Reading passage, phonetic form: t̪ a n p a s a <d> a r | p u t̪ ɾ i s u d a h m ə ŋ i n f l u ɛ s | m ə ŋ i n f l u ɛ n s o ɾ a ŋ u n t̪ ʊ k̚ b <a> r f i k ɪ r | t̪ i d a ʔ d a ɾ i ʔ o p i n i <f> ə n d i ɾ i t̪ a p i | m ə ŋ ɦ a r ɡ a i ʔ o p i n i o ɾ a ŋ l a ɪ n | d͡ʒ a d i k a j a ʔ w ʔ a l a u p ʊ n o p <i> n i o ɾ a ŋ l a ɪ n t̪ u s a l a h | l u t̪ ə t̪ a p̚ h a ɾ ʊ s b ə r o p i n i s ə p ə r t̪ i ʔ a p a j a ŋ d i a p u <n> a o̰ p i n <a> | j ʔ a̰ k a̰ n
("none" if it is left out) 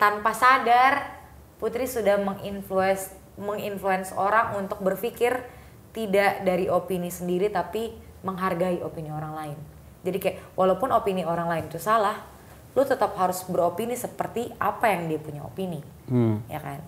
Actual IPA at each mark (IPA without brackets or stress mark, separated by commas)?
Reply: d, ə, s, i, ɲ, i